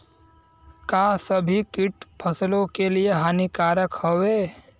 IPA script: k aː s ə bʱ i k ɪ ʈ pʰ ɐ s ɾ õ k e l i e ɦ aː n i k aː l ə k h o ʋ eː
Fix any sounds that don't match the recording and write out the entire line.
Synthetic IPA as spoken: k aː s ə bʱ i k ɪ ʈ pʰ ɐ s l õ k e l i e ɦ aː n i k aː ɾ ə k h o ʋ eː